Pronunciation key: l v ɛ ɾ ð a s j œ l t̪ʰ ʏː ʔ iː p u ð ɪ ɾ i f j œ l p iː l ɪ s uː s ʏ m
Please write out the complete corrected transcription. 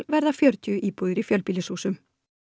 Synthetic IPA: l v ɛ ɾ ð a f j œ ɾ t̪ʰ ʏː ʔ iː p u ð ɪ ɾ i f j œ l p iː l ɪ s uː s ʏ m